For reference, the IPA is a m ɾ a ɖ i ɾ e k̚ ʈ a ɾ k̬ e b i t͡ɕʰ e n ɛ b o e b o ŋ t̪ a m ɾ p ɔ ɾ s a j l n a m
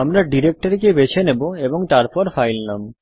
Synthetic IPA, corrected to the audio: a m ɾ a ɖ i ɾ e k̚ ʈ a ɾ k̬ e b e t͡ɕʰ e n e b o e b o ŋ t̪ a ɾ p ɔ ɾ f a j l n a m